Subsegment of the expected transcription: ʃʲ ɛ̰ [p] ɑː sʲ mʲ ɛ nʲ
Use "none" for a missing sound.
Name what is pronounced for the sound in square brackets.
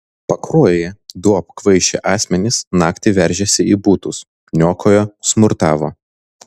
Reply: ʔ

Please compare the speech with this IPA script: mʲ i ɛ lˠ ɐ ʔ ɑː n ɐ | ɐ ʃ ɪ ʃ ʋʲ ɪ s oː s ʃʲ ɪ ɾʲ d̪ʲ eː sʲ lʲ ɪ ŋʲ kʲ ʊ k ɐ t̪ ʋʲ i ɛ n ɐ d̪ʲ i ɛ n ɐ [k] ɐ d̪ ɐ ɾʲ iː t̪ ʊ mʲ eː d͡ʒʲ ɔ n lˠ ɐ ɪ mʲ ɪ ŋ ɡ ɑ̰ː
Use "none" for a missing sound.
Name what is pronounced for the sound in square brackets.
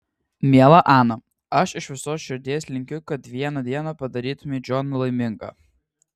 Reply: p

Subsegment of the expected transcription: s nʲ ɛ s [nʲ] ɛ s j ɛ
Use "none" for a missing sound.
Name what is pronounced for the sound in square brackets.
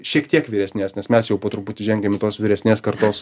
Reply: mʲ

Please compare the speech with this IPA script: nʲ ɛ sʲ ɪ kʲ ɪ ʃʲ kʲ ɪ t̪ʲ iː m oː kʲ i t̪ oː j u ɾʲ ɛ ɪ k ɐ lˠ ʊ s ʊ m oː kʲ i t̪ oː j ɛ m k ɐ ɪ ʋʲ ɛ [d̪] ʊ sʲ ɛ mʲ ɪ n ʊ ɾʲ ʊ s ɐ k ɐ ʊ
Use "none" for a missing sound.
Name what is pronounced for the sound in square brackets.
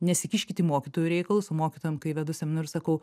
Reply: d̪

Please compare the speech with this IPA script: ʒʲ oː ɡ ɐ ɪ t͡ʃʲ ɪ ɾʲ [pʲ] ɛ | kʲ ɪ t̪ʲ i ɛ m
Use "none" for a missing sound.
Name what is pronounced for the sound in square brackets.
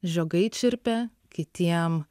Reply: pʲ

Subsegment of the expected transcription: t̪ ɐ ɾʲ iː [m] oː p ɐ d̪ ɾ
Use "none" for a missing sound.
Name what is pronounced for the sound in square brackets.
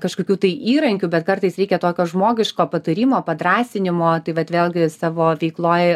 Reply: m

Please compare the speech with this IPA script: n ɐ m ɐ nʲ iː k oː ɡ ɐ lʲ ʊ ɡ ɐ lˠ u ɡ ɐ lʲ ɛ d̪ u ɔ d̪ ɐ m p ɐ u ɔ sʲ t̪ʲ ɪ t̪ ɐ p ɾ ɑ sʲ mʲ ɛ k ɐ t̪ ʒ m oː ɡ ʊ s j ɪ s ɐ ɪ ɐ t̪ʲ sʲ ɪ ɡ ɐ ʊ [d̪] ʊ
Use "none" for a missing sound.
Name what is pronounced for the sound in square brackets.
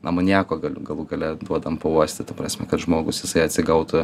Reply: t̪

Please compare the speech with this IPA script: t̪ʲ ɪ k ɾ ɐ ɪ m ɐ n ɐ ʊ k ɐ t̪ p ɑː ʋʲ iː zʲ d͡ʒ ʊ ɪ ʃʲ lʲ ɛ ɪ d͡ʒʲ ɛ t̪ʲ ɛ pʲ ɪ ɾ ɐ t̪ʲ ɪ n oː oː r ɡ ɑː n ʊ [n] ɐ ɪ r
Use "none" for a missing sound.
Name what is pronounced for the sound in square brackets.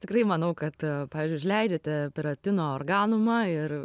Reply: m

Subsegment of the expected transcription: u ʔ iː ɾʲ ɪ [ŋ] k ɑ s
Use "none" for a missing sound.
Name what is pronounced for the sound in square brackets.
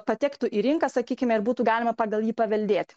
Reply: ŋ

